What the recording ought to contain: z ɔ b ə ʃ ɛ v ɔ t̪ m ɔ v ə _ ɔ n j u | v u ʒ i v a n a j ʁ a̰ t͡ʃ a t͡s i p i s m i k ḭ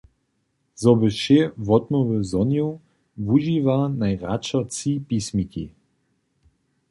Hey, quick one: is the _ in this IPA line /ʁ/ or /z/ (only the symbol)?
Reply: z